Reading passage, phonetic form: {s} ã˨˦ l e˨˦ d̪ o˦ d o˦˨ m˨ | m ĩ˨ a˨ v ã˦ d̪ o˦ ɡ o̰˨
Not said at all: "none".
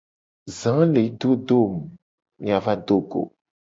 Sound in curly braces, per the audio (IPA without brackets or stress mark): z